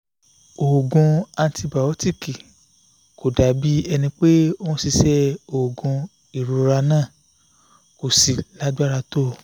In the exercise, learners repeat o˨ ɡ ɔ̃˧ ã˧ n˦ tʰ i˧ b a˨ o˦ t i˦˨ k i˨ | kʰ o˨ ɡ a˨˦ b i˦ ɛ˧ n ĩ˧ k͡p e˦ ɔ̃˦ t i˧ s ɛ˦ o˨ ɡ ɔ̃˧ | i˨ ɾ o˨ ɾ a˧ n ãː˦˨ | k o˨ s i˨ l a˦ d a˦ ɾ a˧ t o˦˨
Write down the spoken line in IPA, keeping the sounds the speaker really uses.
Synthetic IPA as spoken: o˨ ɡ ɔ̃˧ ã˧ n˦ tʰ i˧ b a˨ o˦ t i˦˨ k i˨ | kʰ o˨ d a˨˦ b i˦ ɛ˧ n ĩ˧ k͡p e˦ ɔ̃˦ s i˧ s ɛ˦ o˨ ɡ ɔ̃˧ | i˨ ɾ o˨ ɾ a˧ n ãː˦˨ | k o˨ s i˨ l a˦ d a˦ ɾ a˧ t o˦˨